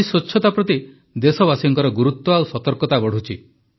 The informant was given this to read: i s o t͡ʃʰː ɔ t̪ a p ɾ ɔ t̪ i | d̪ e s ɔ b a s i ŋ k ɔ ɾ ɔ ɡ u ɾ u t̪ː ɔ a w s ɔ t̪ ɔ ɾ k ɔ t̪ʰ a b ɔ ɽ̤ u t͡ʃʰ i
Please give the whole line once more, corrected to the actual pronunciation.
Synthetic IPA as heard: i s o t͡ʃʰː ɔ t̪ a p ɾ ɔ t̪ i | d̪ e s ɔ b a s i ŋ k ɔ ɾ ɔ ɡ u ɾ u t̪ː ɔ a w s ɔ t̪ ɔ ɾ k ɔ t̪ a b ɔ ɽ̤ u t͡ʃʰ i